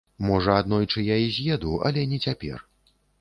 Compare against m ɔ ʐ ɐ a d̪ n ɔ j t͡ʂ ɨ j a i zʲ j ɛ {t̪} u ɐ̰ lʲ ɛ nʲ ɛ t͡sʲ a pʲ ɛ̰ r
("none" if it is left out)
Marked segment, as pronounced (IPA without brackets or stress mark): d̪